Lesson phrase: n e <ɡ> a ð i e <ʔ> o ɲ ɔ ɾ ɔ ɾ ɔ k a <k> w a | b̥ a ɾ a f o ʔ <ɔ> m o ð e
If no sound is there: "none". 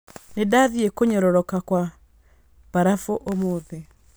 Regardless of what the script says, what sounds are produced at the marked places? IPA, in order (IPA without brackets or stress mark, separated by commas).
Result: d, k, k, o